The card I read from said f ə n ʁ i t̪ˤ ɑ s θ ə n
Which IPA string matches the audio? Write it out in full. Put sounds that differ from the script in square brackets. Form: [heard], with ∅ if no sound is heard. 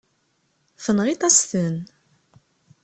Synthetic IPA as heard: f ə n ʁ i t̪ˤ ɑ s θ ə n